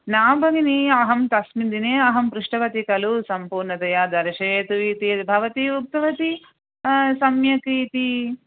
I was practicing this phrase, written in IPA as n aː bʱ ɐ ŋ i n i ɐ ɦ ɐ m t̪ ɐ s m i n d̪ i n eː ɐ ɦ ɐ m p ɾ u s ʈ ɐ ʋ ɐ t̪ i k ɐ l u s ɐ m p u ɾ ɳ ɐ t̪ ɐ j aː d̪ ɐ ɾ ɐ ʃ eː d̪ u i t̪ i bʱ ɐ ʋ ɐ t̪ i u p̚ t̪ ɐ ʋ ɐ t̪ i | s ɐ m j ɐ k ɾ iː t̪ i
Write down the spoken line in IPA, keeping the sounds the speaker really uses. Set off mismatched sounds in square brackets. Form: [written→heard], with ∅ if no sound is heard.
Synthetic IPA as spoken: n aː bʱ ɐ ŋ i n i ɐ ɦ ɐ m t̪ ɐ s m i n d̪ i n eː ɐ ɦ ɐ m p ɾ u [s→ʂ] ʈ ɐ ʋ ɐ t̪ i k ɐ l u s ɐ m p [u→uː] ɾ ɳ ɐ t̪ ɐ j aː d̪ ɐ ɾ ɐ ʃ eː [d̪→t̪] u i t̪ i bʱ ɐ ʋ ɐ t̪ i u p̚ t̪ ɐ ʋ ɐ t̪ i | s ɐ m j ɐ k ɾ iː t̪ i